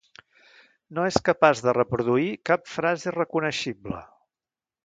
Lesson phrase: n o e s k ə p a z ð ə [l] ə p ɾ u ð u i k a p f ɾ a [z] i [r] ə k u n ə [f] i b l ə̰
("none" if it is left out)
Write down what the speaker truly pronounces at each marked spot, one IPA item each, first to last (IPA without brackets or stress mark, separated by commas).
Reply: r, z, r, ʃ